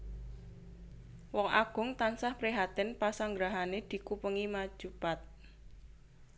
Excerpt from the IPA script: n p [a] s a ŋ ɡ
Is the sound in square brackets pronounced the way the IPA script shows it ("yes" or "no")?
yes